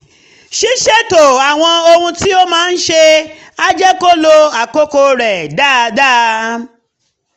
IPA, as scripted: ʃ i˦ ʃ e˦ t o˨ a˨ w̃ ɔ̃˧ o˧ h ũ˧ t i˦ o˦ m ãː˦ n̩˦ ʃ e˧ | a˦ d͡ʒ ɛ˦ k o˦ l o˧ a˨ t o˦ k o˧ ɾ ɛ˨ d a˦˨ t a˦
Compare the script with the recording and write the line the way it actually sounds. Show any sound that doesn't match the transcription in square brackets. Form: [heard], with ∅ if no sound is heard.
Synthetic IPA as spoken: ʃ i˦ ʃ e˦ t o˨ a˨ w̃ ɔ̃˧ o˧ h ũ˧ t i˦ o˦ m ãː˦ n̩˦ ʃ e˧ | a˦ d͡ʒ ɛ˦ k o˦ l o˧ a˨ [k] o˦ k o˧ ɾ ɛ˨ d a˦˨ [d] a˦